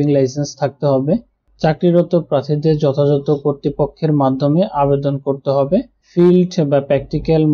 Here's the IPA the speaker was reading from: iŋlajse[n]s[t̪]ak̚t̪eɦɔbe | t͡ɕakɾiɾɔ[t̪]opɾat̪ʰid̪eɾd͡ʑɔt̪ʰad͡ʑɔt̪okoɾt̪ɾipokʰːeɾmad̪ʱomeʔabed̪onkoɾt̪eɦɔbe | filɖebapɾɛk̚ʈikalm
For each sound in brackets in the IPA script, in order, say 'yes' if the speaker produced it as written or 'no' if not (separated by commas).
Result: yes, no, yes